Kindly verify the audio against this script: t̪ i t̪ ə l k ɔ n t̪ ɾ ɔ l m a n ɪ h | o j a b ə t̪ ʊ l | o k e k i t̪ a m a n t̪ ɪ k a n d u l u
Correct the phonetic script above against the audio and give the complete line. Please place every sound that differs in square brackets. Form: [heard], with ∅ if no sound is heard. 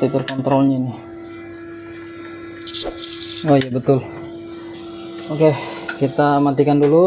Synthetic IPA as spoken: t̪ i t̪ ə [r] k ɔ n t̪ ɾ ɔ l [ɲ] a n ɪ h | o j a b ə t̪ ʊ l | o k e k i t̪ a m a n t̪ [i] k a n d u l u